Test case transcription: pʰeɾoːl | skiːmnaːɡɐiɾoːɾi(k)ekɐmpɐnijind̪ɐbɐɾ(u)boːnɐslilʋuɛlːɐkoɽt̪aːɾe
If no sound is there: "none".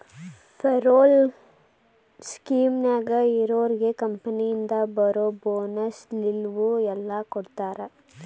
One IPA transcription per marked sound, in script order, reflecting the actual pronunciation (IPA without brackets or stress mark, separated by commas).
ɡ, o